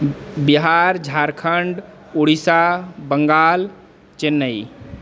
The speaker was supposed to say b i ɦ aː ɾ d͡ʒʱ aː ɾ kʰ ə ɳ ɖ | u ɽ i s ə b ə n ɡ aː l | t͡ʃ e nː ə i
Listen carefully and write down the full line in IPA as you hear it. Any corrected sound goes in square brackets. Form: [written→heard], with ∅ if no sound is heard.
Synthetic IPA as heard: b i ɦ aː ɾ d͡ʒʱ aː ɾ kʰ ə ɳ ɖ | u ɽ i s [ə→a] b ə [n→ŋ] ɡ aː l | t͡ʃ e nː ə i